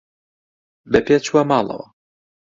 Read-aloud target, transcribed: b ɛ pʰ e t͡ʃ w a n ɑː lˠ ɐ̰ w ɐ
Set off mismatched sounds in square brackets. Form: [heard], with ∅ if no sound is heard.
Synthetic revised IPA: b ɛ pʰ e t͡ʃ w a [m] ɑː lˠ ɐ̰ w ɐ